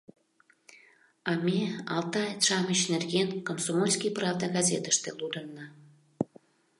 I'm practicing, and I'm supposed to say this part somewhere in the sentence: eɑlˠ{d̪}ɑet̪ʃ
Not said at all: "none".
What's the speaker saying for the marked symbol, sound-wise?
t̪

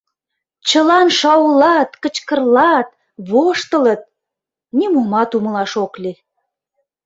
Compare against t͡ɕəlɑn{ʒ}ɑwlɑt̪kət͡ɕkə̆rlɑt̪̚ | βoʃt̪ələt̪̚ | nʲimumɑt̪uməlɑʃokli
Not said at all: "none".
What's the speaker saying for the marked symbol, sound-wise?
ʃ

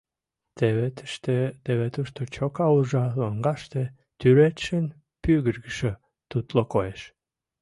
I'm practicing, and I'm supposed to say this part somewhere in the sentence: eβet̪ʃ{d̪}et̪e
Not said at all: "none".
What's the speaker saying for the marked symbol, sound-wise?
t̪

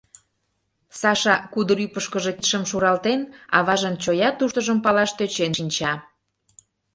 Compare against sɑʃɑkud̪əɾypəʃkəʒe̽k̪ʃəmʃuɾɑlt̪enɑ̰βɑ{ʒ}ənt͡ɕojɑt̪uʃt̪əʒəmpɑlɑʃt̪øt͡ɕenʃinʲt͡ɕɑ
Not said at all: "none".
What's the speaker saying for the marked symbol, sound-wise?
ʒ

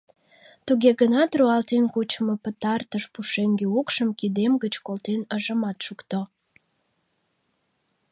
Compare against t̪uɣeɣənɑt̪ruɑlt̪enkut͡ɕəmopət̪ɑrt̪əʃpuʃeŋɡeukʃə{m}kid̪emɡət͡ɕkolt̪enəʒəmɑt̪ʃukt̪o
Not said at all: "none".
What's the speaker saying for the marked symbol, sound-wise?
m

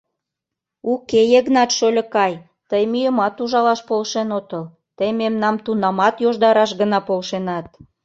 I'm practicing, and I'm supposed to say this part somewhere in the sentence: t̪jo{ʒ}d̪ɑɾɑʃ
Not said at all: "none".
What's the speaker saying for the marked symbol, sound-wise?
ʒ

